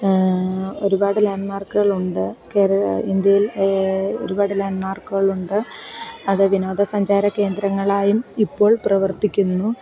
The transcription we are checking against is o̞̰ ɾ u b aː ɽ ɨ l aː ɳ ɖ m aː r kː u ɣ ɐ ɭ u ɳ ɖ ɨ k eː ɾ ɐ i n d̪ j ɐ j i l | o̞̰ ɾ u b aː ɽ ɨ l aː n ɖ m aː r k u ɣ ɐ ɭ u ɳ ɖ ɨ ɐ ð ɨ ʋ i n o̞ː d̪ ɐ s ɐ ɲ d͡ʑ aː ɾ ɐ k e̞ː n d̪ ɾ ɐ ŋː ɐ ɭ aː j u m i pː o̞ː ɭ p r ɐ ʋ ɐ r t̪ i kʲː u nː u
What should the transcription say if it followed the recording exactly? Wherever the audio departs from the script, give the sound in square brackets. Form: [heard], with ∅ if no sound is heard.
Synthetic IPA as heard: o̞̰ ɾ u b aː ɽ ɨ l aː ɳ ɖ m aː r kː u ɣ ɐ ɭ u ɳ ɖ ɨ k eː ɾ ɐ i n d̪ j ɐ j i l | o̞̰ ɾ u b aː ɽ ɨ l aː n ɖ m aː r k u ɣ ɐ ɭ u ɳ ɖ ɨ ɐ ð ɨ ʋ i n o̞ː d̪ ɐ s ɐ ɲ d͡ʑ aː ɾ ɐ k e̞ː n d̪ ɾ ɐ ŋː ɐ ɭ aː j u m i pː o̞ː ɭ p r ɐ ʋ ɐ r t̪ i kʲː u nː u